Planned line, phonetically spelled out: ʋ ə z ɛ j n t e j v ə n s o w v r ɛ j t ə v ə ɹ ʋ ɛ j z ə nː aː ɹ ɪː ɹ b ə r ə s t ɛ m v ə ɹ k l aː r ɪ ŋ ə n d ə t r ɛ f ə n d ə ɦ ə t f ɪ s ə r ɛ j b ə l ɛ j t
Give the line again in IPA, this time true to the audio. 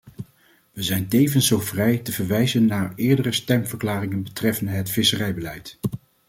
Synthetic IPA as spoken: ʋ ə z ɛ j n t e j v ə n s o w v r ɛ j t ə v ə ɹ ʋ ɛ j z ə nː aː ɹ ɪː ɹ d ə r ə s t ɛ m v ə ɹ k l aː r ɪ ŋ ə n b ə t r ɛ f ə n d ə ɦ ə t f ɪ s ə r ɛ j b ə l ɛ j t